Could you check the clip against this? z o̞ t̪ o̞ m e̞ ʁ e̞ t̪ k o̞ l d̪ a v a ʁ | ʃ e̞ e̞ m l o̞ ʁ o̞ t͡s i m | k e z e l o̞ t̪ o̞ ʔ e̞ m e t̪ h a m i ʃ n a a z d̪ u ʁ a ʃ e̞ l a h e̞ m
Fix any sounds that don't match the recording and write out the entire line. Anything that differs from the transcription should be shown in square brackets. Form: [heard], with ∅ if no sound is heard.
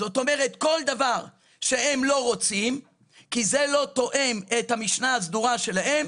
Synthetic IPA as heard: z o̞ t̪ o̞ m e̞ ʁ e̞ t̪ k o̞ l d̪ a v a ʁ | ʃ e̞ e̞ m l o̞ ʁ o̞ t͡s i m | k [i] z e l o̞ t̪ o̞ ʔ e̞ m e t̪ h a m i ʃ n a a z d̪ u ʁ a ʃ e̞ l a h e̞ m

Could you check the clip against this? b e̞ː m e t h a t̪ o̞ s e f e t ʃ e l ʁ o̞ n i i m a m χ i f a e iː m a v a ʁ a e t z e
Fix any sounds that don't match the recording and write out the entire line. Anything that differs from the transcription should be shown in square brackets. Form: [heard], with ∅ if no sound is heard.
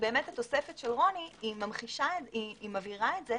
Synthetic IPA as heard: b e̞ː m e t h a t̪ o̞ s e f e t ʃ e l ʁ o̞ n i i m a m χ i [ʃ] a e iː m a v [i] ʁ a e t z e

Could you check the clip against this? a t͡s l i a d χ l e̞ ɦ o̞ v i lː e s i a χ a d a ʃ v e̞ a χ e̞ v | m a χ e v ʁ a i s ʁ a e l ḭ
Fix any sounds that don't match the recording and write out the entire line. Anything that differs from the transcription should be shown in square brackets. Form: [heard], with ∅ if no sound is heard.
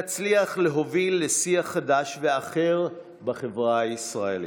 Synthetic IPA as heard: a t͡s l i a [∅] χ l e̞ ɦ o̞ v i lː e s i a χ a d a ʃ v e̞ a χ e̞ [ʁ] | [b] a χ e v ʁ a i s ʁ a e l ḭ

